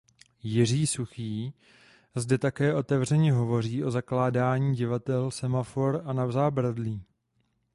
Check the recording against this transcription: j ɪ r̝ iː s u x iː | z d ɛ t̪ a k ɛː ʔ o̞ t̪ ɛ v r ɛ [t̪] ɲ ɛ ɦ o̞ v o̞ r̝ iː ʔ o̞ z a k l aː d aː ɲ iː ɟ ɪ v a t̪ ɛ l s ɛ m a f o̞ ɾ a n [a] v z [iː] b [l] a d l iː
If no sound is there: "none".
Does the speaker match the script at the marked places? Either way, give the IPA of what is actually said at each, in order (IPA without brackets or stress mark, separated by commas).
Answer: none, a, aː, ɾ